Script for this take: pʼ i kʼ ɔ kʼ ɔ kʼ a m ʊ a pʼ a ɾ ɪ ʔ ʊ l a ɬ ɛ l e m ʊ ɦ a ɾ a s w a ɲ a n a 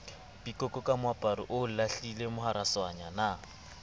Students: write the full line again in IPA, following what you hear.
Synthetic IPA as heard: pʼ i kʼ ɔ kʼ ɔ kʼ a m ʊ a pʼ a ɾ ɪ ʔ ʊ l a ɬ i l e m ʊ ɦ a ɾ a s w a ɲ a n a